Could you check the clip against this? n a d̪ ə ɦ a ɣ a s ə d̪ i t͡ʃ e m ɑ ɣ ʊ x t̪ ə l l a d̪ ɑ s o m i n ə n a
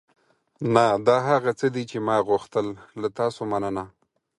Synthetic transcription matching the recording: n a d̪ ɑ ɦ a ɣ a t͡s ə d̪ i t͡ʃ e m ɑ ɣ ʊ x t̪ ə l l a t̪ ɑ s o m a n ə n a